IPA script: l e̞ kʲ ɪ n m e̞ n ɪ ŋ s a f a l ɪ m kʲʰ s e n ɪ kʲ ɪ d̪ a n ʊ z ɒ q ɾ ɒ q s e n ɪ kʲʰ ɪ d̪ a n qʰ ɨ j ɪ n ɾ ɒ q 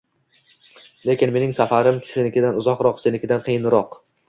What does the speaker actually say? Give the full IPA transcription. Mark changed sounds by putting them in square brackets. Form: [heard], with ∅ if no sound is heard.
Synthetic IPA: l e̞ kʲ ɪ n m e̞ n ɪ ŋ s a f a [ɾ] ɪ m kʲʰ s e n ɪ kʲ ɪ d̪ a n ʊ z ɒ q ɾ ɒ q s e n ɪ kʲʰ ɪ d̪ a n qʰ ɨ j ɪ n ɾ ɒ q